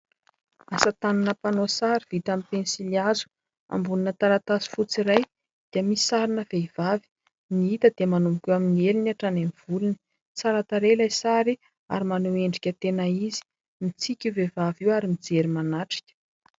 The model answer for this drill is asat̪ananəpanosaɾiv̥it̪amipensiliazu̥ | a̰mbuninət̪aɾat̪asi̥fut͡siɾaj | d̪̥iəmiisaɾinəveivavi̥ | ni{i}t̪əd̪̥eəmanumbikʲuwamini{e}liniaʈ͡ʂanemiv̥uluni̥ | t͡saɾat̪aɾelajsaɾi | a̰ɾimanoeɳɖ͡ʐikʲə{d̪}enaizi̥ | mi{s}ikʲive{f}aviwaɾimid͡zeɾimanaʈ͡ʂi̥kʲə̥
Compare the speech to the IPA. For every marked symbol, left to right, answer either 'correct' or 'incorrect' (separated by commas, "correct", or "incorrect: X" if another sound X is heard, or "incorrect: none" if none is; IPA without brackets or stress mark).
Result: correct, correct, incorrect: t̪, incorrect: t͡s, incorrect: v